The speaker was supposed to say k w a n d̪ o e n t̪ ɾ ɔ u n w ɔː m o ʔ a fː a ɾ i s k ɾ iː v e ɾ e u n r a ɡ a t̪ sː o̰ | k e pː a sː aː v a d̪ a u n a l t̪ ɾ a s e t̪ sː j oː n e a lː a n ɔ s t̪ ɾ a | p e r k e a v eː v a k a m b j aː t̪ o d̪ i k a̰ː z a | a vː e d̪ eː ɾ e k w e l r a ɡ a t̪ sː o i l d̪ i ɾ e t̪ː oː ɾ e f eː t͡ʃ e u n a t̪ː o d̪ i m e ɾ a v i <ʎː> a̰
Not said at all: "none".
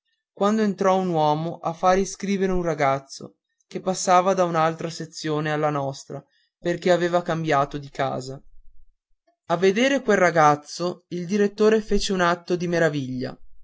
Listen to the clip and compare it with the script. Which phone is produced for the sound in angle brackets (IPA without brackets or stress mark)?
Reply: ʎː